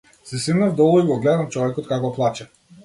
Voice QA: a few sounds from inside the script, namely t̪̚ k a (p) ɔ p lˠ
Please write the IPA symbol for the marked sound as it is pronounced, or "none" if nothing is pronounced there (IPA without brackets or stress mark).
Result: k